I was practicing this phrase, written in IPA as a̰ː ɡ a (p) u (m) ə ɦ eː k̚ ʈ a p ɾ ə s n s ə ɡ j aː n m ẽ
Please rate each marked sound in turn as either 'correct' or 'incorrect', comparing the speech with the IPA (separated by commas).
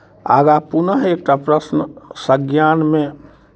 correct, incorrect